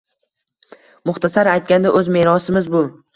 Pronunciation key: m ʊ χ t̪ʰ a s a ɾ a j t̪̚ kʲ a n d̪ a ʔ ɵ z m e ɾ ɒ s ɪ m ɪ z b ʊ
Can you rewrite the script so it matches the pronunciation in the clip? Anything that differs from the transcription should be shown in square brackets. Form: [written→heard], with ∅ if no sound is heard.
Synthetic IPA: m ʊ χ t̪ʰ a s a ɾ a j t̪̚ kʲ a n d̪ a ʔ ɵ z m e ɾ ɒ s ɪ m ɪ z b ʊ